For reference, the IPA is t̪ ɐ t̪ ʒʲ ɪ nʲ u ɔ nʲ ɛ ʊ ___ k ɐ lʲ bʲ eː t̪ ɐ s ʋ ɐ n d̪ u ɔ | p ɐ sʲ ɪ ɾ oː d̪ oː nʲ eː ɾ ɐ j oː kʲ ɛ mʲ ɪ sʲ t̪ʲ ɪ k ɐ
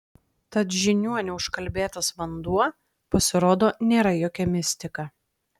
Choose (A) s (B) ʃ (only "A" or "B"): B